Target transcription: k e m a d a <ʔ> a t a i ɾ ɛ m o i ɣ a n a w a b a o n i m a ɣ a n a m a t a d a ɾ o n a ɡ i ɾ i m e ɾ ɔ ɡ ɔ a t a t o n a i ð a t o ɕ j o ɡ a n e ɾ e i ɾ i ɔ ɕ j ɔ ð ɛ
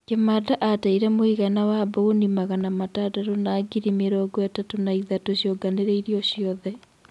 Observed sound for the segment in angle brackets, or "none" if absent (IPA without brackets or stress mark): ʔ